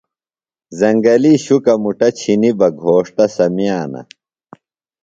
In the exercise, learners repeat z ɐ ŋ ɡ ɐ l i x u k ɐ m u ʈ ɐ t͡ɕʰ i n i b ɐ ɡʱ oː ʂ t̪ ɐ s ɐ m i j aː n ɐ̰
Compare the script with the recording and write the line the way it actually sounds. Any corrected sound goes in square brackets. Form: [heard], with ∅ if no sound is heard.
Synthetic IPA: z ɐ ŋ ɡ ɐ l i [ɕ] u k ɐ m u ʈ ɐ t͡ɕʰ i n i b ɐ ɡʱ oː ʂ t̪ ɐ s ɐ m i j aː n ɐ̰